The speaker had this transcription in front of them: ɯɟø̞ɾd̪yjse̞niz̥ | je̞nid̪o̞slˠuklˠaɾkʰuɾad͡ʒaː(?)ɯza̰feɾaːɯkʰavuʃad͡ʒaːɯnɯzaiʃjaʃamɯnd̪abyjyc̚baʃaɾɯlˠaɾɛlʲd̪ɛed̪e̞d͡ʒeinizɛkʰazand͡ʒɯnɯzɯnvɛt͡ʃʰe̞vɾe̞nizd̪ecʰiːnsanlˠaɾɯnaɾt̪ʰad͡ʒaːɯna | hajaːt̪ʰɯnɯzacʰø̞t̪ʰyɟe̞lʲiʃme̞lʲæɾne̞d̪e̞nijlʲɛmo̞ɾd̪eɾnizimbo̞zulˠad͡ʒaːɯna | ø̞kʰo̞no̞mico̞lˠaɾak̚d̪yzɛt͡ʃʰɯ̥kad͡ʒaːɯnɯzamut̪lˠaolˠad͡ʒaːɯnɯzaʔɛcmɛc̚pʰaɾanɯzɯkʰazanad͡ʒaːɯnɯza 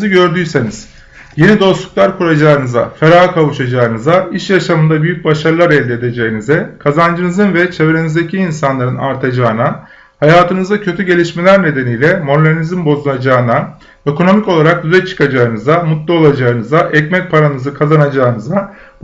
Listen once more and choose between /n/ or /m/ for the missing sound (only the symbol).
n